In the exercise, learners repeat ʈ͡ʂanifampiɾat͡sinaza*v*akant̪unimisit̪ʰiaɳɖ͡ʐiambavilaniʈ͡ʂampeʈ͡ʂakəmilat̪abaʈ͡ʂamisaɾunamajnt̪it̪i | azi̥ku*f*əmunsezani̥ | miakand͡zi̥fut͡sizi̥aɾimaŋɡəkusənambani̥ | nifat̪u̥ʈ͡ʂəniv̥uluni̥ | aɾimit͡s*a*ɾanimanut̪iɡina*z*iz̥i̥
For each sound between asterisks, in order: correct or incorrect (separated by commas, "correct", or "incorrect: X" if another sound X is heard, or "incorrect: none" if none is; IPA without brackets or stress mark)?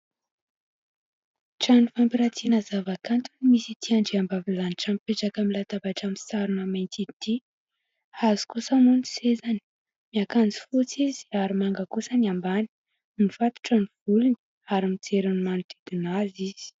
correct, incorrect: s, incorrect: e, correct